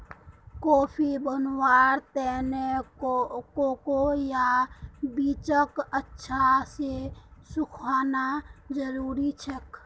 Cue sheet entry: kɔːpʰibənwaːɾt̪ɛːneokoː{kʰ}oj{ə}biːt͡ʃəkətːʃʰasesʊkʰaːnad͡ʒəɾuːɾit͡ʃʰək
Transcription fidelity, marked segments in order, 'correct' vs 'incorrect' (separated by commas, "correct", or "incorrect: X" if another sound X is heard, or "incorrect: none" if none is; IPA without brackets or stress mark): incorrect: k, incorrect: a